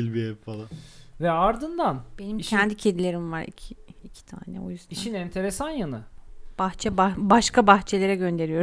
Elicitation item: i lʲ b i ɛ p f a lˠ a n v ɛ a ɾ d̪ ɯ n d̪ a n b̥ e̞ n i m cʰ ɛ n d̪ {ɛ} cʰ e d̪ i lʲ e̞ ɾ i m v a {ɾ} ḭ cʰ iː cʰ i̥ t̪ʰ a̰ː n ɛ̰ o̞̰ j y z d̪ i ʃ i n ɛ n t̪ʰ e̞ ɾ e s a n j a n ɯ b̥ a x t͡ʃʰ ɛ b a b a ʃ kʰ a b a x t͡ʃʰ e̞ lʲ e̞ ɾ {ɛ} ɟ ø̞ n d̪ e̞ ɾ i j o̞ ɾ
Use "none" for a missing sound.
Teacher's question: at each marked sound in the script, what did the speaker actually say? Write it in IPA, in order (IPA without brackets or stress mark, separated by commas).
i, ɾ, ɛ